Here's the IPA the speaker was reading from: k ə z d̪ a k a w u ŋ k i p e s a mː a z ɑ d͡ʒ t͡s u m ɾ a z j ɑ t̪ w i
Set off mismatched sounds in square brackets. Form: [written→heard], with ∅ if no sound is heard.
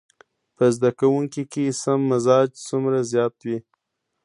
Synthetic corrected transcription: [k→p] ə z d̪ a k a w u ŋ k i [p→k] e s a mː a z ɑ d͡ʒ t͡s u m ɾ a z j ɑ t̪ w i